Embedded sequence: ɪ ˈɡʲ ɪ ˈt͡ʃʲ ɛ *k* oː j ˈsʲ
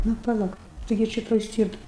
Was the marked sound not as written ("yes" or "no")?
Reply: yes